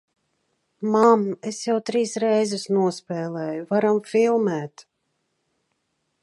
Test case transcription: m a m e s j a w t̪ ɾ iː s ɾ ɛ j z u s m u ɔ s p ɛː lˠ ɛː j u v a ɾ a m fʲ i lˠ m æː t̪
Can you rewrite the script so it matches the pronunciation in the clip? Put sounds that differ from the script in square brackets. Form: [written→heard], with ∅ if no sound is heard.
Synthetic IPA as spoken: m a m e s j a w t̪ ɾ iː s ɾ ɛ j z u s [m→n] u ɔ s p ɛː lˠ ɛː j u v a ɾ a m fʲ i lˠ m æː t̪